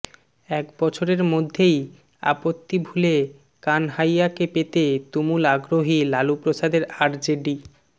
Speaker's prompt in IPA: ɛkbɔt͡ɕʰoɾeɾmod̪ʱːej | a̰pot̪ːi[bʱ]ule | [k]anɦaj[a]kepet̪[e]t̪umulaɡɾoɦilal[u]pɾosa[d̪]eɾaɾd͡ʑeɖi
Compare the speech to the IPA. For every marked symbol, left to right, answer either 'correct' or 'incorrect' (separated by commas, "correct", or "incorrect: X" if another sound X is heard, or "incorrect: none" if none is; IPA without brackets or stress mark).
correct, correct, correct, correct, correct, correct